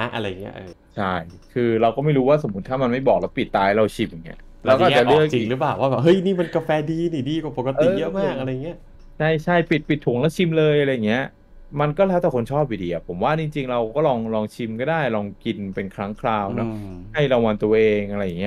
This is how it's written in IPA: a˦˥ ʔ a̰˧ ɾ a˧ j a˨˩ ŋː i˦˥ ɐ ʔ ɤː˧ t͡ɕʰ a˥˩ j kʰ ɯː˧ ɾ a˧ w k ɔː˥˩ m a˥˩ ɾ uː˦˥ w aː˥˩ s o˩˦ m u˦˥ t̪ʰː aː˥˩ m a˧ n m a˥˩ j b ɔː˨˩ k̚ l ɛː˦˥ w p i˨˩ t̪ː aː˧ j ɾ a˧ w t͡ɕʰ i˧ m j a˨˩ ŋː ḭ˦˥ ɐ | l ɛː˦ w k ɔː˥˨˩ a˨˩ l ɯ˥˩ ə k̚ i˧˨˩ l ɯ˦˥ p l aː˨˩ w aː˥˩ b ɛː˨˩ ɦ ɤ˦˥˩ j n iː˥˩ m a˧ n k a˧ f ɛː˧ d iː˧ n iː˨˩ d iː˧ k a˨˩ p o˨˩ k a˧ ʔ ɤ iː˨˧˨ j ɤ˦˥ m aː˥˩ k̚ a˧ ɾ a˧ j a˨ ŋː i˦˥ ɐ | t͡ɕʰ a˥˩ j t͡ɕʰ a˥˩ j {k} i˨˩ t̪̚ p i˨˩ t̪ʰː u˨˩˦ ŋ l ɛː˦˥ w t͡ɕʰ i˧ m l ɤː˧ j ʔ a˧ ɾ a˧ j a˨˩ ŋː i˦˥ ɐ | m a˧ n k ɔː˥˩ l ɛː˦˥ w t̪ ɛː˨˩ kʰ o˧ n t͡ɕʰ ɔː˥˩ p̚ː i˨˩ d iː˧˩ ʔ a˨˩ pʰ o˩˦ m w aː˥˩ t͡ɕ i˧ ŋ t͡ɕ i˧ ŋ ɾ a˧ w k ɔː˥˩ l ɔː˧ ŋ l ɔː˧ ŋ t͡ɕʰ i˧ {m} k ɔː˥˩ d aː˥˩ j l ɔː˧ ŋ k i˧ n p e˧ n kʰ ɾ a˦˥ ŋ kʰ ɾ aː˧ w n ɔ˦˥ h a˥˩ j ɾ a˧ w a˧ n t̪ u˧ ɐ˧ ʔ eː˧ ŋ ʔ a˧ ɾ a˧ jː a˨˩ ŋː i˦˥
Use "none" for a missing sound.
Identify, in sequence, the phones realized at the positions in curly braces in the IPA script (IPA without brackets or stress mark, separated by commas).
p, m